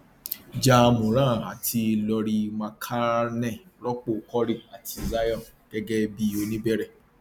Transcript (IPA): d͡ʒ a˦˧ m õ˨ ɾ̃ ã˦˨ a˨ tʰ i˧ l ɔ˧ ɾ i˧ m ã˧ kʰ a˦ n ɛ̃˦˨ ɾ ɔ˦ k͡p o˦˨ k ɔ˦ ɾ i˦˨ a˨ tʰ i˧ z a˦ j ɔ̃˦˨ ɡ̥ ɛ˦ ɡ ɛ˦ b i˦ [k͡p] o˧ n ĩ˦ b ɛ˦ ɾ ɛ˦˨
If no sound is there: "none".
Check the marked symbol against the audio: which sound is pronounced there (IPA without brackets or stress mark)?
none